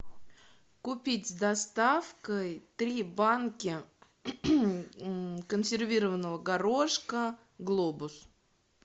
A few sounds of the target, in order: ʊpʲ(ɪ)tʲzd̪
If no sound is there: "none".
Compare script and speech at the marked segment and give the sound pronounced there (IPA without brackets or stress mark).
i